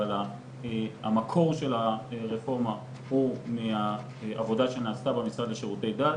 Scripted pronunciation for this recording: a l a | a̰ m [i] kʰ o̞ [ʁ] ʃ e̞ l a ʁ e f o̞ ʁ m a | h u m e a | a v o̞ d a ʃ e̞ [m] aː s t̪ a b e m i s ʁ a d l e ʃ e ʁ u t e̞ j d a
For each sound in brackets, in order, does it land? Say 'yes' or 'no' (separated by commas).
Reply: no, yes, no